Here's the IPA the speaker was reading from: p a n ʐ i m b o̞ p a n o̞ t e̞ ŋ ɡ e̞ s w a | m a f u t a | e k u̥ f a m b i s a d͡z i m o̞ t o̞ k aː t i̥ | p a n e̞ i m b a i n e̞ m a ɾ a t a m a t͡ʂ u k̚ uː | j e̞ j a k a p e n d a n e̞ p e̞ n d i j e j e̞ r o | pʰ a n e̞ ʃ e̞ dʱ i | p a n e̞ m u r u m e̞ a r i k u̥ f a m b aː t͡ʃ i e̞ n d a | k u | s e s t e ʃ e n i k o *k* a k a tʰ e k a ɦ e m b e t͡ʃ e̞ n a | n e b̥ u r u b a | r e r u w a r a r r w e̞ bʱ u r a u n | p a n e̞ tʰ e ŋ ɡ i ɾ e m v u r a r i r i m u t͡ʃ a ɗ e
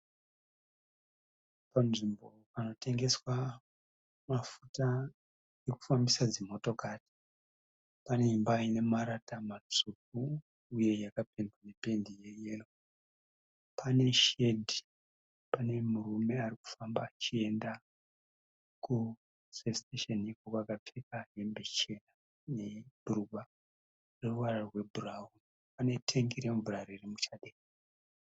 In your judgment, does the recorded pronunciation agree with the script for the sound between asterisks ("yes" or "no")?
yes